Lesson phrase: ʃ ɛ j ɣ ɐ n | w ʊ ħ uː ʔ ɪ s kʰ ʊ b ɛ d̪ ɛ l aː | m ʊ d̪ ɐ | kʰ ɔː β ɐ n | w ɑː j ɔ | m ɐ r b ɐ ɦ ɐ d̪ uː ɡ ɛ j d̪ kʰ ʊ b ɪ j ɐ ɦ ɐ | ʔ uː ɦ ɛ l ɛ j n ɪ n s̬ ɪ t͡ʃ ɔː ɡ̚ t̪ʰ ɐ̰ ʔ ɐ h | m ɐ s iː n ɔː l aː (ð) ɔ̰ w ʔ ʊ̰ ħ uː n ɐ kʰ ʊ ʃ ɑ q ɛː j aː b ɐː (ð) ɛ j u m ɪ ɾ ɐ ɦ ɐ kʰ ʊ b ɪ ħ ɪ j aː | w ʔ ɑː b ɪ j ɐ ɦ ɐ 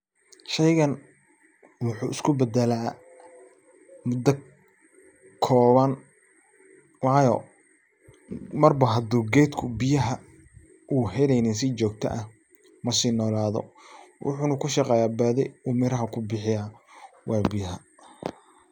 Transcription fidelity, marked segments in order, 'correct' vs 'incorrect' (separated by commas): correct, correct